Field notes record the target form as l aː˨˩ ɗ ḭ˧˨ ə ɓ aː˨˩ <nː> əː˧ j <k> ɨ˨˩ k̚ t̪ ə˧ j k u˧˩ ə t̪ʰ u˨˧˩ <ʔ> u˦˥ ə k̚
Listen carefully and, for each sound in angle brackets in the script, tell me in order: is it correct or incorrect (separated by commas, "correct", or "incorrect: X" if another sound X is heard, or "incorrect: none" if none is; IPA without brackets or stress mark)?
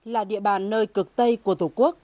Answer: correct, correct, incorrect: k